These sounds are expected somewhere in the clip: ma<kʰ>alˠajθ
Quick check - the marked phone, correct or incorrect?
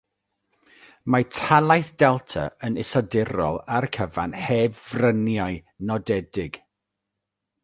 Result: incorrect